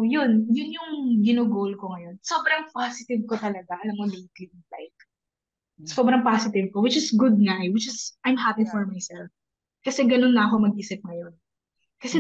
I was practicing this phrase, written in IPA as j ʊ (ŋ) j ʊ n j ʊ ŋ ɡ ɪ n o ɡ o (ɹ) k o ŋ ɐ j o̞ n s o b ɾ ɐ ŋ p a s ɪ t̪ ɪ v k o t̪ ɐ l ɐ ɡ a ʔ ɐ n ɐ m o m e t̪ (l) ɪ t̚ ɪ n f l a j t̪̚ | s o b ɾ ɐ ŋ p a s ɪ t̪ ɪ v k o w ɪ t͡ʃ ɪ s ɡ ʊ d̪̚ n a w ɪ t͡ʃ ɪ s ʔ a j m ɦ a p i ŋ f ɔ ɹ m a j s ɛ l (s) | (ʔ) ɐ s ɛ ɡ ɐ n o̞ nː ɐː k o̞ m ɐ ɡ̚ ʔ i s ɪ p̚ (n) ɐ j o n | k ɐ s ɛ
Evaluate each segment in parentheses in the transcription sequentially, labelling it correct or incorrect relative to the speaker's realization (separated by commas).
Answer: incorrect, incorrect, correct, incorrect, incorrect, incorrect